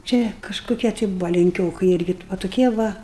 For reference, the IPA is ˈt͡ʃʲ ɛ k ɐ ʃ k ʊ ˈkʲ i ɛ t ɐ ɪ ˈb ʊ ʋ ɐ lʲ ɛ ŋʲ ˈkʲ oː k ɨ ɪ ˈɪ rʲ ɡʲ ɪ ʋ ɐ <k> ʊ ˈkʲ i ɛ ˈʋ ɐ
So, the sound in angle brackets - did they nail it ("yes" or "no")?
no